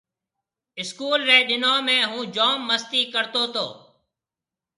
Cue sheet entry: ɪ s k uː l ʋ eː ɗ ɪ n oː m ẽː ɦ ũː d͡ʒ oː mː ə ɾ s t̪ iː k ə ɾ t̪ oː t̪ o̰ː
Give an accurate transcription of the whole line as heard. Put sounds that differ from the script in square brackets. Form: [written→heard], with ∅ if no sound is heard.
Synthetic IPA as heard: ɪ s k uː l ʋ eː ɗ ɪ n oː m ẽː ɦ ũː d͡ʒ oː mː ə [ɾ→∅] s t̪ iː k ə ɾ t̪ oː t̪ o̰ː